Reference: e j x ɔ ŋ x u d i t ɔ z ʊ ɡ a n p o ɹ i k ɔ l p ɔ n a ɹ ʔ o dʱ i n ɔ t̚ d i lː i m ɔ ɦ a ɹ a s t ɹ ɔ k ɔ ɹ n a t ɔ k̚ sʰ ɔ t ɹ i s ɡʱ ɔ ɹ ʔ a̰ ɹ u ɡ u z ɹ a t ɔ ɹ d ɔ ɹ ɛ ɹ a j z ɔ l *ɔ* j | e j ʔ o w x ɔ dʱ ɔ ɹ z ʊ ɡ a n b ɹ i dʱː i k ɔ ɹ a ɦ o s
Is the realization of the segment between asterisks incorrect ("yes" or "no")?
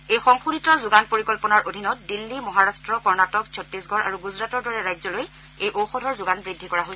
yes